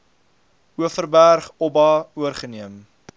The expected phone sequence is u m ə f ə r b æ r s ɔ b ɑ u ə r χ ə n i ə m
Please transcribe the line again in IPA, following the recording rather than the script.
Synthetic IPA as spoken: u ə f ə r b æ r χ ɔ b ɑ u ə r χ ə n i ə m